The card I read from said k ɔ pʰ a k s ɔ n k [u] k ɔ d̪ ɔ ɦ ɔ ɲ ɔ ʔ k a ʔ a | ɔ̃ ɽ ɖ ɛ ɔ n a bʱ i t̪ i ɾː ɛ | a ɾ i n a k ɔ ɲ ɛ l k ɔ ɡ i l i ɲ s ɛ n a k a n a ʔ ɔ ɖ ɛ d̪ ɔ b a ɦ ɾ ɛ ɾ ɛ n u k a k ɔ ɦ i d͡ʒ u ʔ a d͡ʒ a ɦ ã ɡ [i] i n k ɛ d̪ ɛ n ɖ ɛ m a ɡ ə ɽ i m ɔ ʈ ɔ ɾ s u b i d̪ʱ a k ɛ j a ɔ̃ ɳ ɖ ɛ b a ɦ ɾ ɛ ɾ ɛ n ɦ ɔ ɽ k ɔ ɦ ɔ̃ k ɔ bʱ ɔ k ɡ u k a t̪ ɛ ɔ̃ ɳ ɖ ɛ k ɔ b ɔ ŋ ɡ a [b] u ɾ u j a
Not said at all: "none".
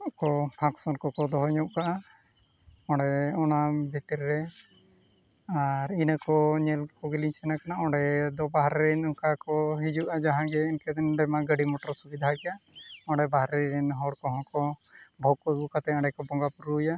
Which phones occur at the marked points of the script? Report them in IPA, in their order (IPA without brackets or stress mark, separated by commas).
ɔ, ɛ, p